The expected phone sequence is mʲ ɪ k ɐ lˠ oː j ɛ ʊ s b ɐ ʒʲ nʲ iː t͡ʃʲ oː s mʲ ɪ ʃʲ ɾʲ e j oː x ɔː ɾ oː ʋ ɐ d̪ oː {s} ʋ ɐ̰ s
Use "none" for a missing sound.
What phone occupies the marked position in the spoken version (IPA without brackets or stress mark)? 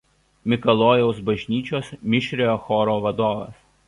none